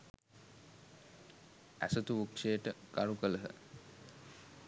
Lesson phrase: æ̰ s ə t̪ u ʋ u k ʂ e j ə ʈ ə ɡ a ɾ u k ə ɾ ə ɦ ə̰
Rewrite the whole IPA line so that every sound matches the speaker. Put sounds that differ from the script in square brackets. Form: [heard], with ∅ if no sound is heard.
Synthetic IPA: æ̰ s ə t̪ u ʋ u k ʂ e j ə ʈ ə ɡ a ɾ u k ə [l] ə ɦ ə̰